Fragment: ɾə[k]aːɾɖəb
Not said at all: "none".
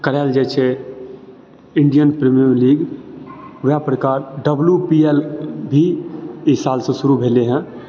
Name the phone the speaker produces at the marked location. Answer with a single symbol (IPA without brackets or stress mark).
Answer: k